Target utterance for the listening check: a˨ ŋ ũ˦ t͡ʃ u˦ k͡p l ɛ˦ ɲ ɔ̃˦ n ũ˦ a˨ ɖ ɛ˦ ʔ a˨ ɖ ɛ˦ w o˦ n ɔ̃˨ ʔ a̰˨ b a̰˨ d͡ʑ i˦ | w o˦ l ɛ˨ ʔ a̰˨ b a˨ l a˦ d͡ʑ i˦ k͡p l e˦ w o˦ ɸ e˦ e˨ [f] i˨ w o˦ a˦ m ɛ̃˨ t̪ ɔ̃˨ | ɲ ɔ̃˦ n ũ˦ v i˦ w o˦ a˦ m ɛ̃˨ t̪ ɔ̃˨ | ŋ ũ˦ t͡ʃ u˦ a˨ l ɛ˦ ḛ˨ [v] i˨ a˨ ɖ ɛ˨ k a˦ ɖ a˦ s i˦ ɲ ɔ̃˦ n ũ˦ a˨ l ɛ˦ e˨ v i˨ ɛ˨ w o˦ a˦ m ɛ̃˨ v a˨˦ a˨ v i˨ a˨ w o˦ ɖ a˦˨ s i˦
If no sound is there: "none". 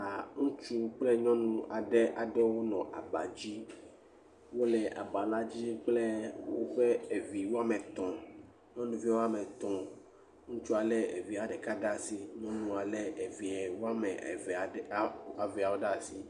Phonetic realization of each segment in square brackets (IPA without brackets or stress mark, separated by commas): v, v